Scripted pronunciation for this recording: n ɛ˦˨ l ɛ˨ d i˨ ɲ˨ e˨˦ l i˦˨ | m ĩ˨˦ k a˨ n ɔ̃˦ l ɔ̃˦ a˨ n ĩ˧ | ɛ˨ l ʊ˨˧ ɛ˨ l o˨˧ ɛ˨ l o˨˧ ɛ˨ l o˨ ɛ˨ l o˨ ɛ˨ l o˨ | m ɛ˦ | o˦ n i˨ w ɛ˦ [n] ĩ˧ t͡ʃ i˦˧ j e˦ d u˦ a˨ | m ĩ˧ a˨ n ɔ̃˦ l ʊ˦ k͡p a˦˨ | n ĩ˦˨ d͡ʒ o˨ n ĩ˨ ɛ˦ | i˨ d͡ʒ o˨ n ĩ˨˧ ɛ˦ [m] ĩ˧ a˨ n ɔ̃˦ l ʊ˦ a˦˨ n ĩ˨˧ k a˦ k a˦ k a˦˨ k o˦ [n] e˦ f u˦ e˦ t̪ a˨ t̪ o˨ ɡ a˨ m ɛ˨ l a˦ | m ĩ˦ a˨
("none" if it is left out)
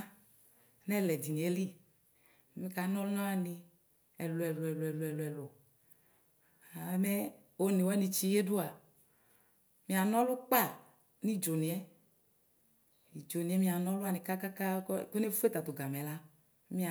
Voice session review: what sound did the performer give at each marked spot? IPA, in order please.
n, m, n

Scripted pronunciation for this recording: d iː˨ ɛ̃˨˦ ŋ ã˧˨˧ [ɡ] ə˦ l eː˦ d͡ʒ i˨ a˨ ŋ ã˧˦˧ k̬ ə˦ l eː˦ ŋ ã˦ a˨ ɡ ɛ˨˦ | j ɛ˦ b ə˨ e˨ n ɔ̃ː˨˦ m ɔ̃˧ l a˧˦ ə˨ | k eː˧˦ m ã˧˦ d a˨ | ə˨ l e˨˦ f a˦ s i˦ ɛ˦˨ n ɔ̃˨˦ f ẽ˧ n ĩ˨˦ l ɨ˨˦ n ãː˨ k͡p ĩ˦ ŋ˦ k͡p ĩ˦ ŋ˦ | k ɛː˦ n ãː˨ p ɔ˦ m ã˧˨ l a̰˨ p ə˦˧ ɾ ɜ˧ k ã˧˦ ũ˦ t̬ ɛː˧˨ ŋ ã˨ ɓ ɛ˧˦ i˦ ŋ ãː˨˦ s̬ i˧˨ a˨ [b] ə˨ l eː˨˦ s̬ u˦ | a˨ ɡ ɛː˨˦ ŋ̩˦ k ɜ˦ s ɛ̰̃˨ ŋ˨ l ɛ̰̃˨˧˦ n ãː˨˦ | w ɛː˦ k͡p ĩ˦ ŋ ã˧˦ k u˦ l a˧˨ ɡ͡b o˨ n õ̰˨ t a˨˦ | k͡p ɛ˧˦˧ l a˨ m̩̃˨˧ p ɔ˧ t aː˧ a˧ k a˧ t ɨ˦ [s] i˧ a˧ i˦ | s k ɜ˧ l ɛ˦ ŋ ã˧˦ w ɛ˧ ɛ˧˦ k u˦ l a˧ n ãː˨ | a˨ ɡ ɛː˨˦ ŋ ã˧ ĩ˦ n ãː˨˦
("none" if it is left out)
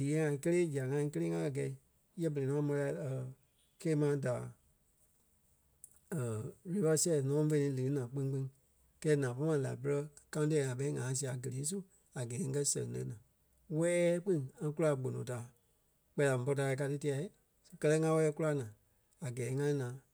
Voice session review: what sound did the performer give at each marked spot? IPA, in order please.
k, ɡ, t

